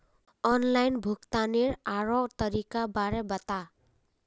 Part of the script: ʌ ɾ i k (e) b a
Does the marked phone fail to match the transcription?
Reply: yes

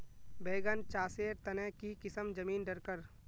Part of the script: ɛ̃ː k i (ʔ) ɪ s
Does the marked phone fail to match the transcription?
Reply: yes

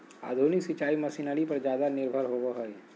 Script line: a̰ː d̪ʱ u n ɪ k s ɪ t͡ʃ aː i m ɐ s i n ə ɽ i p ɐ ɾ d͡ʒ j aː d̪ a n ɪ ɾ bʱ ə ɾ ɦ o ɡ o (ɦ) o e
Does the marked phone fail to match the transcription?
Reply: no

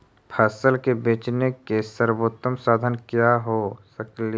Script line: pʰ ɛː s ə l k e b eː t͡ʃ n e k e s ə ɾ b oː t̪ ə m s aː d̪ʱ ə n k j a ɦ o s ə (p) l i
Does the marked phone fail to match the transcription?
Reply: yes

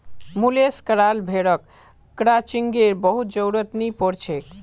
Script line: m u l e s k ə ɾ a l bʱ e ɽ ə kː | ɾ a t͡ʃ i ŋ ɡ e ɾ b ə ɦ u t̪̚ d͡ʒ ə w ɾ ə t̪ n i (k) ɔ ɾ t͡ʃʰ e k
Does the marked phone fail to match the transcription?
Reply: yes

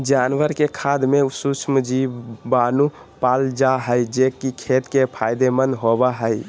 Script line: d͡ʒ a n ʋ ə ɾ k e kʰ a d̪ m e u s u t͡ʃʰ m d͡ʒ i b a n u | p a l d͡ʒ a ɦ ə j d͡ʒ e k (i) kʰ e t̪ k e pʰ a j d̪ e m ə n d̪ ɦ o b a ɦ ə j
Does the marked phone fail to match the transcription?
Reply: no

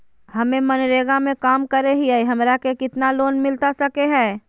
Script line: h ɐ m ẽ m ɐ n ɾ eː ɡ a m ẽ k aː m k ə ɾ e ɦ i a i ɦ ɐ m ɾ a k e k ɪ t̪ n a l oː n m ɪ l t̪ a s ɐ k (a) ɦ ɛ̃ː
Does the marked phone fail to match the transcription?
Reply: yes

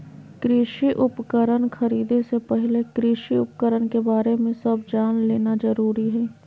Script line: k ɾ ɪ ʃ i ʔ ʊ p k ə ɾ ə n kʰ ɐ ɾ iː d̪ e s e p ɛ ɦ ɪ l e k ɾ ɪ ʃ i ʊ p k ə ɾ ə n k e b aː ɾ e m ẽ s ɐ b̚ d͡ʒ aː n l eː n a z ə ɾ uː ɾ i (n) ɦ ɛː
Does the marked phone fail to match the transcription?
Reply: yes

